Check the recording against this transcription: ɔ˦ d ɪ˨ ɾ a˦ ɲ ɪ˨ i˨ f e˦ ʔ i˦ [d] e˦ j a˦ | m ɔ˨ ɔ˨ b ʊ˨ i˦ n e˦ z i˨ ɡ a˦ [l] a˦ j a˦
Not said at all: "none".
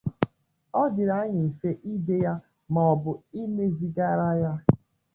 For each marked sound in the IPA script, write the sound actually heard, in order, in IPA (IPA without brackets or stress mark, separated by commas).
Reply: d, ɾ